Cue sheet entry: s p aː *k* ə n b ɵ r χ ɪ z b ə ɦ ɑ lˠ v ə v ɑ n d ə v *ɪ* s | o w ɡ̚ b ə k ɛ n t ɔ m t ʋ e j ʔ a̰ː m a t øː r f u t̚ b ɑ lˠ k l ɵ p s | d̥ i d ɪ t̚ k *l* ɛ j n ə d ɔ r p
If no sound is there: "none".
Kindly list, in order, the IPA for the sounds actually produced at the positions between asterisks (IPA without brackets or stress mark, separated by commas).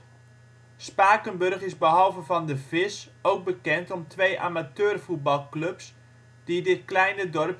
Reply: k, ɪ, l